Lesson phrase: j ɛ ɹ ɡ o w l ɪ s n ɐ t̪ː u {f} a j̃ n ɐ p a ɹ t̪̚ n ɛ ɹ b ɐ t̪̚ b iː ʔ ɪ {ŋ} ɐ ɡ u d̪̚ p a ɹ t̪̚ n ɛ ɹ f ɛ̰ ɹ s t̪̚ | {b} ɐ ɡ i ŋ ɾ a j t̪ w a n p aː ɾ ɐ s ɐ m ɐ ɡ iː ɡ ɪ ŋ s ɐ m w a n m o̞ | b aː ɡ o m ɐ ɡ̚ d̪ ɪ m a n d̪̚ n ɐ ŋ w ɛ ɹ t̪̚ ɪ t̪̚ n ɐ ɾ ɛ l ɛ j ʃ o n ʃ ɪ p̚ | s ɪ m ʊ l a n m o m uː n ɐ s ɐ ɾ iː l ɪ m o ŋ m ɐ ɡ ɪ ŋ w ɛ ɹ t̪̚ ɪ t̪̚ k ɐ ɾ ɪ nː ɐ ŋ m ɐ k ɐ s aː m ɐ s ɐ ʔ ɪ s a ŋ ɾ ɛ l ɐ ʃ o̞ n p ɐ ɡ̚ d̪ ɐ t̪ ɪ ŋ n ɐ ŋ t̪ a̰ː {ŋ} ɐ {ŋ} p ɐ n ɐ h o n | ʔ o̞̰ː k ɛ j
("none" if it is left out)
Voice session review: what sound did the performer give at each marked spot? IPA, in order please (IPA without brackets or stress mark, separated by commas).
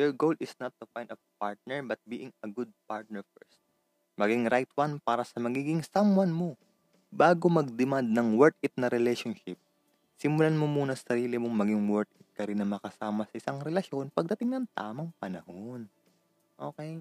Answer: f, ŋ, m, m, ŋ